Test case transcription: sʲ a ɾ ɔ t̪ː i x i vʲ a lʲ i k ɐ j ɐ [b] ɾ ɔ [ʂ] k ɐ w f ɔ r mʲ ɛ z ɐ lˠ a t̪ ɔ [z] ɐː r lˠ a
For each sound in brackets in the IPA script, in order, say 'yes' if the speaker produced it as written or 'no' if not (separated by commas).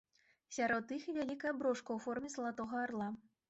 yes, yes, no